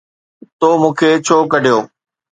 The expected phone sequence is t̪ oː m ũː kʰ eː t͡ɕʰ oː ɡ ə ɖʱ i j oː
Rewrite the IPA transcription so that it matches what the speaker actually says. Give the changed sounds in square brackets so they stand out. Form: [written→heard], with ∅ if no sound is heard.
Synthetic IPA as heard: t̪ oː m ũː kʰ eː t͡ɕʰ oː [ɡ→k] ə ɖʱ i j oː